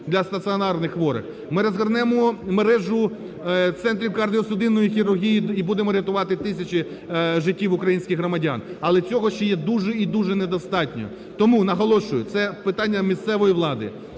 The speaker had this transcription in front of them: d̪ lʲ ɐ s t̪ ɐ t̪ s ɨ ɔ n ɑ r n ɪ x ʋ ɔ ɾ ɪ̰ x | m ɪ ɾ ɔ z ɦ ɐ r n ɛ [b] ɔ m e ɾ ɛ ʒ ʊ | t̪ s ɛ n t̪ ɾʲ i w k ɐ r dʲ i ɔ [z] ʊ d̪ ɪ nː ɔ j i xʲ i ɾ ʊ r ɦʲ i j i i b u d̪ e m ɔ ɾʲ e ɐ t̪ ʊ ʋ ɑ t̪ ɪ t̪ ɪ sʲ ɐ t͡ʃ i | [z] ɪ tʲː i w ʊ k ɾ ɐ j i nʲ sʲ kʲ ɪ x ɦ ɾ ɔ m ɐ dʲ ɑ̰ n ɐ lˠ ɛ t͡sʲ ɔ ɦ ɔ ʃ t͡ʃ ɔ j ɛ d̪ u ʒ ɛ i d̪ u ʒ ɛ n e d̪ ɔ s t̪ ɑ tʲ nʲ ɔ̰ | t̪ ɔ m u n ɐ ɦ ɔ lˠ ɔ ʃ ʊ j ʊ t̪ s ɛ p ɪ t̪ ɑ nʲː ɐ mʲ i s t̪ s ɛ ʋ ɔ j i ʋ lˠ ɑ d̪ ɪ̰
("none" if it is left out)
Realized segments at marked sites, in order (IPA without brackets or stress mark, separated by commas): m, s, ʒ